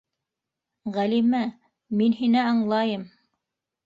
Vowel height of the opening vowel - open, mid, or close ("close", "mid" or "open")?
open